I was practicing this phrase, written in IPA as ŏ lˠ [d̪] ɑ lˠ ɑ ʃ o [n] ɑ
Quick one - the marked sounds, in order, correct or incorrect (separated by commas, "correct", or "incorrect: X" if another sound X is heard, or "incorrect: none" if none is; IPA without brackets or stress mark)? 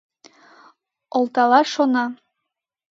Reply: incorrect: t̪, correct